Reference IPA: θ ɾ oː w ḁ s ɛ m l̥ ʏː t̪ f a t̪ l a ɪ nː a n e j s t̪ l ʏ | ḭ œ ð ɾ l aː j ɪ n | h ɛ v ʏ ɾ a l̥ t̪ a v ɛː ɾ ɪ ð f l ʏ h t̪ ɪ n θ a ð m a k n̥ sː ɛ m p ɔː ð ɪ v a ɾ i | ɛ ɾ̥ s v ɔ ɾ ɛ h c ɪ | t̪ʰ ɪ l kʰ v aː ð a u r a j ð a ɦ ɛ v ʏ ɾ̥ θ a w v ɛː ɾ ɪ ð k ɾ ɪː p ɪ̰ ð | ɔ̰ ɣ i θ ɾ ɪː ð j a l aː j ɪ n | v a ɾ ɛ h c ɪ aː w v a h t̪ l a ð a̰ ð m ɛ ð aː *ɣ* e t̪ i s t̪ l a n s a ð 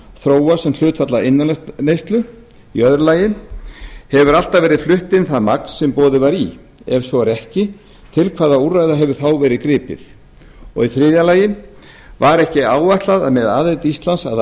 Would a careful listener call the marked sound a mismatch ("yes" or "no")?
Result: yes